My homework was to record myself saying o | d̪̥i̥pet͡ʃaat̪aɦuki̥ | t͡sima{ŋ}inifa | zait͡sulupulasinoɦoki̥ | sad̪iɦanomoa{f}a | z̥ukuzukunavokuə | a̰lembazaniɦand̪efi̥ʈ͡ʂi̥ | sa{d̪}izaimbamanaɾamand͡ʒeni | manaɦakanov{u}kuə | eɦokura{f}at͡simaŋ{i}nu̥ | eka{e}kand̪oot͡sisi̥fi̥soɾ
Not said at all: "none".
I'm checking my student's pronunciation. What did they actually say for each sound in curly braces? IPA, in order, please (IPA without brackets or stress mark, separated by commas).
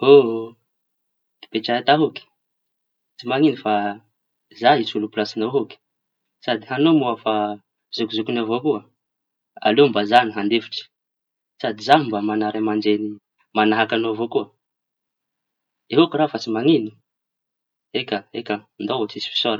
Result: ŋ, f, d̪, o, f, i, e